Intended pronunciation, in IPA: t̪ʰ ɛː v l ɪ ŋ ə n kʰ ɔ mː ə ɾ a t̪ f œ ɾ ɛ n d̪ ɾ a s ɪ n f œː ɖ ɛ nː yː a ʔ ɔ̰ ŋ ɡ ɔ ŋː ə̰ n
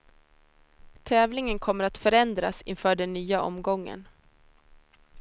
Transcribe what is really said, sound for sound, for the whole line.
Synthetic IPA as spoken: t̪ʰ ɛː v l ɪ ŋ ə n kʰ ɔ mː ə ɾ a t̪ f œ ɾ ɛ n d̪ ɾ a s ɪ n f œː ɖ ɛ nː yː a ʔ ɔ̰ m ɡ ɔ ŋː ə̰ n